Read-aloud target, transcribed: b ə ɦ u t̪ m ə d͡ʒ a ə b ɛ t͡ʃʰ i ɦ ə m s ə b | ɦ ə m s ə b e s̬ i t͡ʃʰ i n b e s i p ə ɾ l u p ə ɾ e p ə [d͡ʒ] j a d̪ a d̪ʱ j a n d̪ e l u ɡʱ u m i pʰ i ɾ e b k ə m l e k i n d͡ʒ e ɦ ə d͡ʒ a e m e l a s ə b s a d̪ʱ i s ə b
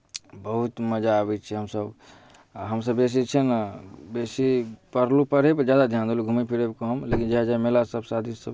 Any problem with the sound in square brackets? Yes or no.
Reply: no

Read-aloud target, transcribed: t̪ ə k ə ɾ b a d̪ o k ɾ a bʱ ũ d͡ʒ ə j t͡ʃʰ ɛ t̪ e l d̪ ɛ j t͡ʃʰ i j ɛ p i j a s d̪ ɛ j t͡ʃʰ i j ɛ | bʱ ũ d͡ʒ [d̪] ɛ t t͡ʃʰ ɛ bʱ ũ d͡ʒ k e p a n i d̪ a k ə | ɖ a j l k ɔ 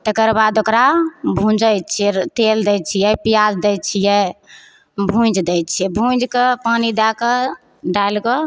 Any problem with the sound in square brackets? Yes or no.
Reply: no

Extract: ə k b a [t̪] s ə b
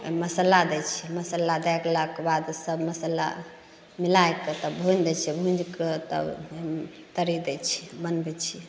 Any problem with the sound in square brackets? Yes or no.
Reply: yes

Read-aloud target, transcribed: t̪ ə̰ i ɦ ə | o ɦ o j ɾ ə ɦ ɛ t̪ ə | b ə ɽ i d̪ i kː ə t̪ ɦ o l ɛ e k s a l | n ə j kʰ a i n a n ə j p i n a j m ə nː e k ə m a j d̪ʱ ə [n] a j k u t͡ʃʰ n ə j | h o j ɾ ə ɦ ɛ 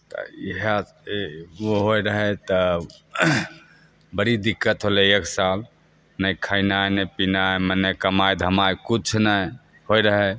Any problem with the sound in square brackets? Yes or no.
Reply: yes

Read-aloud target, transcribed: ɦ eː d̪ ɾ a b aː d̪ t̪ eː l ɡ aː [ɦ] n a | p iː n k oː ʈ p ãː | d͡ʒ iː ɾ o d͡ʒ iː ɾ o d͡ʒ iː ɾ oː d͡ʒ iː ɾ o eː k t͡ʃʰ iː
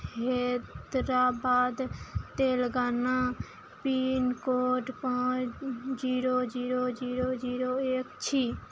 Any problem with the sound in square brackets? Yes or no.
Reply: yes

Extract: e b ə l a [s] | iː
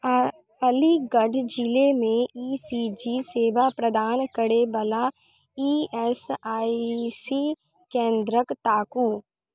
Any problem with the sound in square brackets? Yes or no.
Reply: yes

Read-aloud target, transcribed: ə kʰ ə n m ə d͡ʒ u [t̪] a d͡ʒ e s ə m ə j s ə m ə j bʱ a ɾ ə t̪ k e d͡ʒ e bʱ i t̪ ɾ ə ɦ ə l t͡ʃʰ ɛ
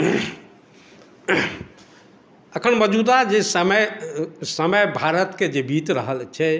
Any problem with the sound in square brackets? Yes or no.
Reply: yes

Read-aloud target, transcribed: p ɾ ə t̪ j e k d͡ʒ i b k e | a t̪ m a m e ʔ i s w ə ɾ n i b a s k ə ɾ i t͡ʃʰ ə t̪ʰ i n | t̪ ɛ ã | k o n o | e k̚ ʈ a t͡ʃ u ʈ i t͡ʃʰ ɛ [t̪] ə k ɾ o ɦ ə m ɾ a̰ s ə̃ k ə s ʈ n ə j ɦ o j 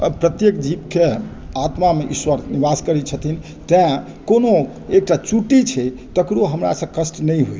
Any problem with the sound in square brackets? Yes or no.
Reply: no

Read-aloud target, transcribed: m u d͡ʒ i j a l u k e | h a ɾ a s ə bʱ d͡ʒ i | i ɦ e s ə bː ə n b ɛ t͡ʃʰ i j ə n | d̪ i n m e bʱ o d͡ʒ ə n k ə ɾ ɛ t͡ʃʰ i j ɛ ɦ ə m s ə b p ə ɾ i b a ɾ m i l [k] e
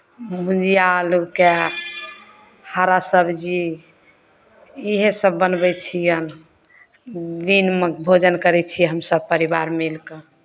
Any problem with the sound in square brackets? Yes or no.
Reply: no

